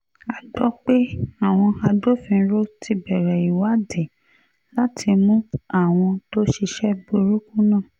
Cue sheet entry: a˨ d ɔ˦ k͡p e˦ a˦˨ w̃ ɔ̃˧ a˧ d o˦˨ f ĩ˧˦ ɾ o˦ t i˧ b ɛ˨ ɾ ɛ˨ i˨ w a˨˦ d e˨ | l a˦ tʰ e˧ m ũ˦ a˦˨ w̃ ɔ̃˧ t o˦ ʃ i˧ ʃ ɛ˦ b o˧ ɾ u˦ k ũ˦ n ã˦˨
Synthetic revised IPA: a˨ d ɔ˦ k͡p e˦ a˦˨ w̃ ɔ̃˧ a˧ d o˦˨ f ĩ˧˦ ɾ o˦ t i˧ b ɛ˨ ɾ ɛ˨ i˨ w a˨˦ d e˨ | l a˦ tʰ i˧ m ũ˦ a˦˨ w̃ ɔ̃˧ t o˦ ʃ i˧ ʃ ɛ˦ b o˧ ɾ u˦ k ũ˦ n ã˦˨